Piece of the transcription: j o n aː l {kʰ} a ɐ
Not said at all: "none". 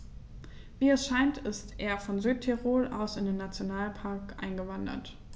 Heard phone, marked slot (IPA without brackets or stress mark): pʰ